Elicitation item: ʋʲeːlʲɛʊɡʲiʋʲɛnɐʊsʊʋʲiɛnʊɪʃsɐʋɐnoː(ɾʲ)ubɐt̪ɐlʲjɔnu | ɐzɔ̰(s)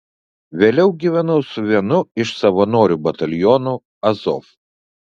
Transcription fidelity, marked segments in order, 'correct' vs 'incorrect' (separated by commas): correct, incorrect